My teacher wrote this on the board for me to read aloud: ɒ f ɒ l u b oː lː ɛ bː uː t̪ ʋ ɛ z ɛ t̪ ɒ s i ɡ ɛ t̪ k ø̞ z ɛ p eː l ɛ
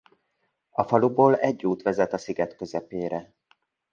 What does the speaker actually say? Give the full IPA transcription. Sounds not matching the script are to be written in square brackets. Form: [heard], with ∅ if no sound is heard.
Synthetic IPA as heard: ɒ f ɒ l u b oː [l] ɛ [ɟː] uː t̪ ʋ ɛ z ɛ t̪ ɒ s i ɡ ɛ t̪ k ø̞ z ɛ p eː [ɾ] ɛ